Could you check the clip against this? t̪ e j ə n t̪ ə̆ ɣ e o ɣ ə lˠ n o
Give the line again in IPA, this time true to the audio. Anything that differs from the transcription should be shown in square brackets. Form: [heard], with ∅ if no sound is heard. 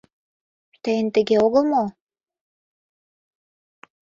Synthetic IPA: t̪ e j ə n t̪ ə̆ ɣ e o ɣ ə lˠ [m] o